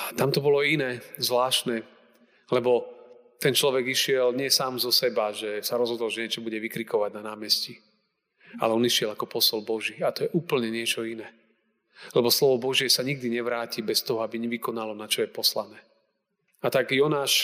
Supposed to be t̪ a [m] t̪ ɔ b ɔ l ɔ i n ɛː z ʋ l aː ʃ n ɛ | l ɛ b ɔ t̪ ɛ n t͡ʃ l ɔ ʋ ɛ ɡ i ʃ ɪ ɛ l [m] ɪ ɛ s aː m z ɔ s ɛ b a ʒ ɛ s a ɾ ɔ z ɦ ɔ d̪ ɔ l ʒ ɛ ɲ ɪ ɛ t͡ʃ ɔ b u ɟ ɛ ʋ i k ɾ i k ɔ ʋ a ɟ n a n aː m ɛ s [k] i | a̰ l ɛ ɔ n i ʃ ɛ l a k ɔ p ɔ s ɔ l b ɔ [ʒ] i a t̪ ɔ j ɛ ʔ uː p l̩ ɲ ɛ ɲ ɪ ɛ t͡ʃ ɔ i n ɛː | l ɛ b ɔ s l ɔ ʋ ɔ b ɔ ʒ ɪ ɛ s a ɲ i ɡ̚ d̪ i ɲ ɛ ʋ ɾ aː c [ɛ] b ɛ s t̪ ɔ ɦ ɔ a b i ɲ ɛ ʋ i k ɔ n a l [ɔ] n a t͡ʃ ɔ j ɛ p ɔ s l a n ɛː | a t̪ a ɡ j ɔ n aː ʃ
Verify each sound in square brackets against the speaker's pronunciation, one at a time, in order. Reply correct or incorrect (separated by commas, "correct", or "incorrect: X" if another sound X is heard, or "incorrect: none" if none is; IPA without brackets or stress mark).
correct, incorrect: ɲ, incorrect: c, correct, incorrect: i, correct